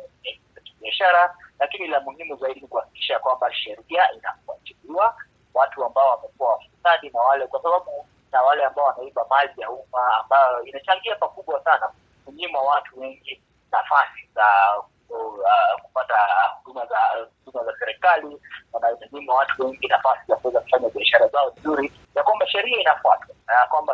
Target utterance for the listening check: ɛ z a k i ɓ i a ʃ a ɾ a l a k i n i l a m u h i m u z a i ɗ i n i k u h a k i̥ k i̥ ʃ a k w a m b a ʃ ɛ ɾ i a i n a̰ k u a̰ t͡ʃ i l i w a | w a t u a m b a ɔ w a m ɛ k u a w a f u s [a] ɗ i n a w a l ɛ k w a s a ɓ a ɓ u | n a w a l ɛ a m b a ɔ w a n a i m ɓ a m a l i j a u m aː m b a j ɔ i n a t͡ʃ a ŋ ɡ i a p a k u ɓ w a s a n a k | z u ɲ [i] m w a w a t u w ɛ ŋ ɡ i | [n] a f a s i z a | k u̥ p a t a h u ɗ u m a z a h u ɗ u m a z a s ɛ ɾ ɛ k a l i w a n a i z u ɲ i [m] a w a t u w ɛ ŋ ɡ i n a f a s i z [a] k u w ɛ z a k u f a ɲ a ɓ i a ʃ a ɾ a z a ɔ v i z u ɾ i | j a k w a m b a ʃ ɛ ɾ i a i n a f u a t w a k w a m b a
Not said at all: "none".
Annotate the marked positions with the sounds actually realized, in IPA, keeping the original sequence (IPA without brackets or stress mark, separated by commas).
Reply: a, i, n, m, a